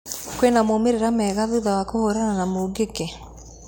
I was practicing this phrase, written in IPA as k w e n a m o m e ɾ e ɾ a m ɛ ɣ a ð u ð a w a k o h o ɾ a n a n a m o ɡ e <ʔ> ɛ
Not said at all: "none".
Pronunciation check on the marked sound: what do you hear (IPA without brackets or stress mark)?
k